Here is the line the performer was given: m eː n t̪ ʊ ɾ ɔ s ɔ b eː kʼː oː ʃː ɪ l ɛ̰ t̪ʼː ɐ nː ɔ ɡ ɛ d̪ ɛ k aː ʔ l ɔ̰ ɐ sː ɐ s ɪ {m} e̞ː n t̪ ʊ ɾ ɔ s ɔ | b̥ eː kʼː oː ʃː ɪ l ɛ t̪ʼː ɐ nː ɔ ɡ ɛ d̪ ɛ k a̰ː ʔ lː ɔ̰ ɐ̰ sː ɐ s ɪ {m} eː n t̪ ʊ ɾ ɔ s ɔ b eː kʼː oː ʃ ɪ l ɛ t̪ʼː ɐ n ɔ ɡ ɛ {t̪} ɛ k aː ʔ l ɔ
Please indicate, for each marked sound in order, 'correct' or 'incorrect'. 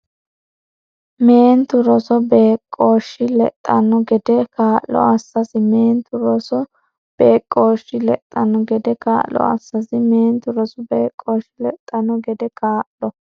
correct, correct, incorrect: d̪

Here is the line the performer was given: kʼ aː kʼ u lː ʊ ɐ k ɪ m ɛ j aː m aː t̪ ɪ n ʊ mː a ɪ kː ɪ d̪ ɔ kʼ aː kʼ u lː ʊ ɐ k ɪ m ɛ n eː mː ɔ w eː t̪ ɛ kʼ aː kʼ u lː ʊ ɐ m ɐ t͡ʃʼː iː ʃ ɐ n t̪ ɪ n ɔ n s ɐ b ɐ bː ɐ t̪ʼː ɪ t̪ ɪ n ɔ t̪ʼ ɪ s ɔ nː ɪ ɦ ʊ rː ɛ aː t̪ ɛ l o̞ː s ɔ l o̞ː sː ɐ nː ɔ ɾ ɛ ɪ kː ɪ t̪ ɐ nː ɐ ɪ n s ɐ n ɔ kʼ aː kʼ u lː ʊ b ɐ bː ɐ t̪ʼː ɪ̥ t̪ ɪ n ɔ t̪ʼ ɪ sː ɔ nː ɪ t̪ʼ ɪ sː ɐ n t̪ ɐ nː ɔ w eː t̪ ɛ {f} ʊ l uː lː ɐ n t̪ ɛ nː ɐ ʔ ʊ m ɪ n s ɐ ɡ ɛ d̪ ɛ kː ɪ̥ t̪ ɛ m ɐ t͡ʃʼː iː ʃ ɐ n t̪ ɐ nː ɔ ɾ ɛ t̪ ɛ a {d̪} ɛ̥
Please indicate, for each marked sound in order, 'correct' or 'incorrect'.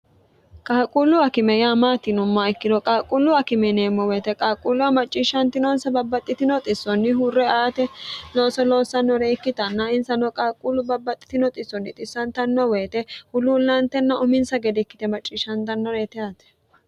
incorrect: h, incorrect: t̪

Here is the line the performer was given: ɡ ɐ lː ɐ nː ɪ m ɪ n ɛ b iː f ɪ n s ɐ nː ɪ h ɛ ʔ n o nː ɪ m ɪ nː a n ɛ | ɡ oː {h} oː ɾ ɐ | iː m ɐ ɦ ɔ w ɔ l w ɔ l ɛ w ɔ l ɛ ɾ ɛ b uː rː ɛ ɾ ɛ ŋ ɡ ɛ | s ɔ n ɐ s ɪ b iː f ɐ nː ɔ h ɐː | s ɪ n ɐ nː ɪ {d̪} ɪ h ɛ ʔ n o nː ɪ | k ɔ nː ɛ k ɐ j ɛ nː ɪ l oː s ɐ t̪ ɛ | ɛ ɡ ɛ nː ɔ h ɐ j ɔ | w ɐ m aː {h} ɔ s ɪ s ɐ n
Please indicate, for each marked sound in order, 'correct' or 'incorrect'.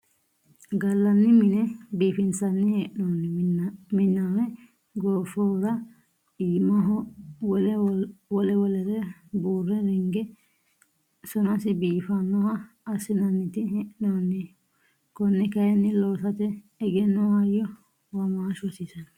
incorrect: f, incorrect: t̪, incorrect: ʃ

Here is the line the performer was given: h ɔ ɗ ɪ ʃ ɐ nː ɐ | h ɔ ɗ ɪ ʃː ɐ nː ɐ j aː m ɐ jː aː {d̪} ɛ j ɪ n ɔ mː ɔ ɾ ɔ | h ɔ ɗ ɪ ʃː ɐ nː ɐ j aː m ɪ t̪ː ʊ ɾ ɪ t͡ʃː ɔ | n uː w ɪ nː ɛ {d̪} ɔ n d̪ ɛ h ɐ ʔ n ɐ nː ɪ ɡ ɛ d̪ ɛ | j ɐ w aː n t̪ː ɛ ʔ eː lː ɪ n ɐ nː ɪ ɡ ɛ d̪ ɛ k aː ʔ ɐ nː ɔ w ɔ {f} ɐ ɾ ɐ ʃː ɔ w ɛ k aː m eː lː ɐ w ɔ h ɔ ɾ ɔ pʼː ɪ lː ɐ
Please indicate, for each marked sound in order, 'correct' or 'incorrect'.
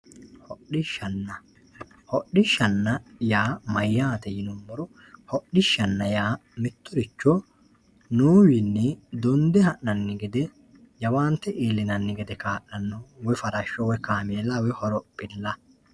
incorrect: t̪, correct, correct

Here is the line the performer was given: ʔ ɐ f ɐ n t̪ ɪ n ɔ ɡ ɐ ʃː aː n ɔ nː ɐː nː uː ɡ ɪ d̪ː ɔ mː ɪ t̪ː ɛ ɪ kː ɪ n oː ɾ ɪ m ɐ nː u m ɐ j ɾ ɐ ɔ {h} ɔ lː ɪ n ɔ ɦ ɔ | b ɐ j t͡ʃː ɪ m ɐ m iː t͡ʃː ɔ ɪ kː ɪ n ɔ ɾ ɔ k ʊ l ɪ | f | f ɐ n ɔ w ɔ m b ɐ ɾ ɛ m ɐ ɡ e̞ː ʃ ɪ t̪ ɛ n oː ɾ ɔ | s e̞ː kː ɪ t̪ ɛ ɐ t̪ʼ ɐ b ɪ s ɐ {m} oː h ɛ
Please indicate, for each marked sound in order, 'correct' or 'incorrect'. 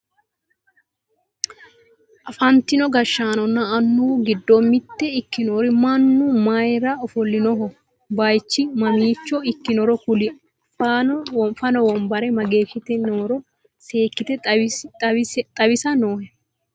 incorrect: f, incorrect: n

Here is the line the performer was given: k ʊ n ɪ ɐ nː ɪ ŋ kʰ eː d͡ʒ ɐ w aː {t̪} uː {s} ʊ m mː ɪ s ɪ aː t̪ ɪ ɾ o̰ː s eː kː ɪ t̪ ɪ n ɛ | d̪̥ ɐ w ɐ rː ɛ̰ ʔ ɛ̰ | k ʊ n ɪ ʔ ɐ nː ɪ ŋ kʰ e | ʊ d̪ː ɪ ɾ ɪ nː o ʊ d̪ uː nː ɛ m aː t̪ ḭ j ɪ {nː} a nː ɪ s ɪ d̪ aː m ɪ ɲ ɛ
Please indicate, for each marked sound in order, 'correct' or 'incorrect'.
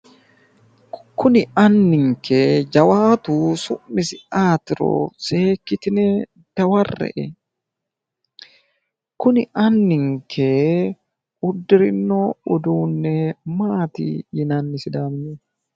correct, correct, incorrect: n

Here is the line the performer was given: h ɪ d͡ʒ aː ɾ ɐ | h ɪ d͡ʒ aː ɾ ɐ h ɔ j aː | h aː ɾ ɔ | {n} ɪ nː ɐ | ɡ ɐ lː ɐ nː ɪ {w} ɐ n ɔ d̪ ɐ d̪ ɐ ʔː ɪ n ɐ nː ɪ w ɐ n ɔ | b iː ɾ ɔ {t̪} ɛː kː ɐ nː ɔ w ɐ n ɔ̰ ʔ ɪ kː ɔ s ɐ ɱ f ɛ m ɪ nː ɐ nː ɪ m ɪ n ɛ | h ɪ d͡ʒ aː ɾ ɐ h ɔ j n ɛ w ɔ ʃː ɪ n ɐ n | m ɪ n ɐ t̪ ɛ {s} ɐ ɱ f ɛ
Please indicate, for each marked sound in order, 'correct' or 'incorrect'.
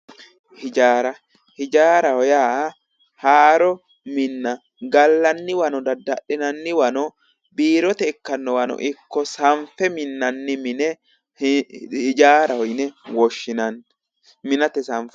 incorrect: m, correct, correct, correct

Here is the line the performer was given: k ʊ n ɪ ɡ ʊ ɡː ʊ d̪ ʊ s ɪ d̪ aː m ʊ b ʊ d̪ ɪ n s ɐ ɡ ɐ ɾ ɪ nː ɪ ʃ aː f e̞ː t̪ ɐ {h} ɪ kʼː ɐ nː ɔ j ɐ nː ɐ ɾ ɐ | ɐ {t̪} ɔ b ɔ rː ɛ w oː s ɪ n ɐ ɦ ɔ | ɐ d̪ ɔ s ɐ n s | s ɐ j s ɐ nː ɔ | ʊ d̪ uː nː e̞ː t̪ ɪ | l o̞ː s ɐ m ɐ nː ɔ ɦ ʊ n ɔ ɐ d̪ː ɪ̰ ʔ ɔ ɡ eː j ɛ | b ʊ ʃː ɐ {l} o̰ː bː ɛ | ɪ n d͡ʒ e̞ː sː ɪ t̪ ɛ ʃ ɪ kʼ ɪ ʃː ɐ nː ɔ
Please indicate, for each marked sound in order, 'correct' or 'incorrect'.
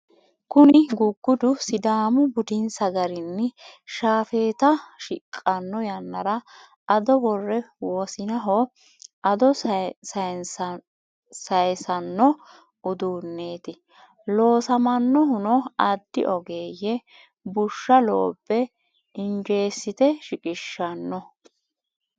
incorrect: ʃ, incorrect: d̪, correct

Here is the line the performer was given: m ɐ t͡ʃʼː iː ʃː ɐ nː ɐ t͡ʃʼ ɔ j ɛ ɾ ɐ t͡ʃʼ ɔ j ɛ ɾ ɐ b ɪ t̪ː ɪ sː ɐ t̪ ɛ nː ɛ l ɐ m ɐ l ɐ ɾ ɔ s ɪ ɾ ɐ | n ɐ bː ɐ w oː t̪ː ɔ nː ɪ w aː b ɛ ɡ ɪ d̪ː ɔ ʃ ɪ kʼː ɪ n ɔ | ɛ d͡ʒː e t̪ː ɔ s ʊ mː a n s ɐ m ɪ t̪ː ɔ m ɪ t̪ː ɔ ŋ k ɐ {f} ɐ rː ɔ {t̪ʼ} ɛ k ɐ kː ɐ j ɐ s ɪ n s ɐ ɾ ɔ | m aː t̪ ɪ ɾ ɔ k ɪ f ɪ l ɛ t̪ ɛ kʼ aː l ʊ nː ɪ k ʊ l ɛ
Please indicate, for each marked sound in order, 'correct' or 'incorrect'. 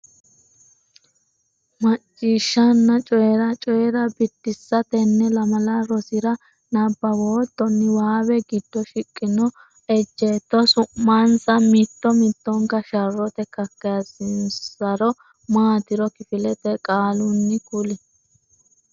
incorrect: ʃ, incorrect: t̪

